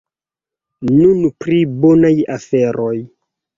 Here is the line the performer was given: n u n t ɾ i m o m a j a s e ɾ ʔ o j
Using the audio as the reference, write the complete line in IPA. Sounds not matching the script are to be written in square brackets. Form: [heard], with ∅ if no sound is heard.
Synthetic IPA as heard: n u n [p] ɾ i [b] o [n] a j a [f] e ɾ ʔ o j